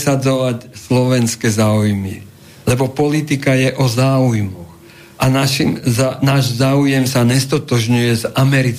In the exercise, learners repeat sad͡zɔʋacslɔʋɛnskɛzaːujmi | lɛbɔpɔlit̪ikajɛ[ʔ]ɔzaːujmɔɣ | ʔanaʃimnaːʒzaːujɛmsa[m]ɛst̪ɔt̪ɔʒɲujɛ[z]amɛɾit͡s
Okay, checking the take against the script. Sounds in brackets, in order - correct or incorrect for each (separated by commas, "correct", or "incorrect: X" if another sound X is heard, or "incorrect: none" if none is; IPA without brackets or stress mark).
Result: correct, incorrect: ɲ, correct